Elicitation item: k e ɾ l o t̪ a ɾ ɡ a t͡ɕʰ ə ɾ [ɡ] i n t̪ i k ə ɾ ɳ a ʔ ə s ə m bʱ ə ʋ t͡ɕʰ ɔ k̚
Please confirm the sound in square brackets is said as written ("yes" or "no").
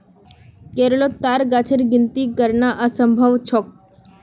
yes